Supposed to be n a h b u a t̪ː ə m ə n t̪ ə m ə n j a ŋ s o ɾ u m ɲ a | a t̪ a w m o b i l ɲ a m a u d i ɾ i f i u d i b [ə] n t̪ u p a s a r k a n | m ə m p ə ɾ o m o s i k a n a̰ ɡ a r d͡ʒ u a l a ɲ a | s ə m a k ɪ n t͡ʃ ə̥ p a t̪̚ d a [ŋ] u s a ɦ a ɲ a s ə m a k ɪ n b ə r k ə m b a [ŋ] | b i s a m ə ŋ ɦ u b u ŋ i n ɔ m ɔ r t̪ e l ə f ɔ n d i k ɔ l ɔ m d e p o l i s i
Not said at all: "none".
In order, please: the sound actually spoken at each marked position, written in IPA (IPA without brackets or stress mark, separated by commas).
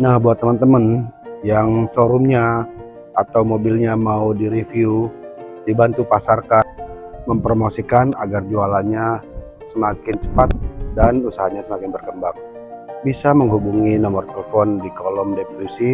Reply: a, n, ŋ